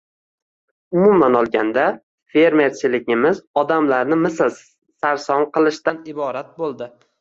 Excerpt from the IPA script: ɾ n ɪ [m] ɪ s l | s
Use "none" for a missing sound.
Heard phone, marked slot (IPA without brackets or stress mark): m